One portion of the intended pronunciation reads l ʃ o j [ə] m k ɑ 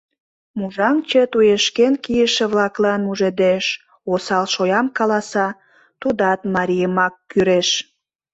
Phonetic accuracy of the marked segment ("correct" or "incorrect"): incorrect